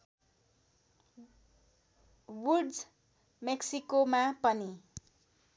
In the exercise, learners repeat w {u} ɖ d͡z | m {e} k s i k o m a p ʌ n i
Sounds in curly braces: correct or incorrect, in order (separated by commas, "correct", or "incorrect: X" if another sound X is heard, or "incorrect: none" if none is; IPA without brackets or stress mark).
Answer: correct, correct